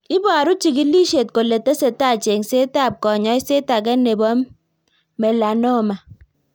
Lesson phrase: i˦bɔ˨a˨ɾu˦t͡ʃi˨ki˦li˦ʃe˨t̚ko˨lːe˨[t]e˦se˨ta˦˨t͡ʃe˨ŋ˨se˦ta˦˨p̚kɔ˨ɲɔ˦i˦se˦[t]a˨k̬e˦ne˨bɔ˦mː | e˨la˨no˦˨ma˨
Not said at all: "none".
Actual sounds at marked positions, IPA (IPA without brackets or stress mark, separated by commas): t, t